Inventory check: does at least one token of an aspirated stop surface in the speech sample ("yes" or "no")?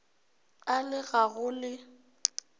no